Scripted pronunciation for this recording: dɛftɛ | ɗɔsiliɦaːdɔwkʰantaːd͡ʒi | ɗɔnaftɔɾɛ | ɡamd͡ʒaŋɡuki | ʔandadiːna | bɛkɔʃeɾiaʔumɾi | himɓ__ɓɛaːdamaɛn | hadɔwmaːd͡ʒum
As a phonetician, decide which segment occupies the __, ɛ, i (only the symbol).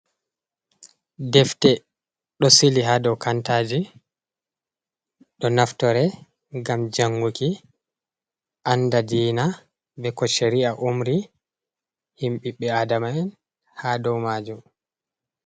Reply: i